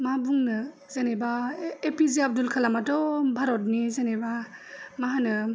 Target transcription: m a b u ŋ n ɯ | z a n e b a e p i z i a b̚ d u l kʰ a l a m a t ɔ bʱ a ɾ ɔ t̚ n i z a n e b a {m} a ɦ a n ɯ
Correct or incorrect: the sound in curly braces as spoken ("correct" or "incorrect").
correct